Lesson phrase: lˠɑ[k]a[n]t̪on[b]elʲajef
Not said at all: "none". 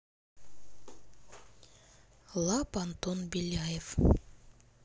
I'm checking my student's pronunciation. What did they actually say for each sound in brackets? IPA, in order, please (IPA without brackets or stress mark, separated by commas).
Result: p, n, b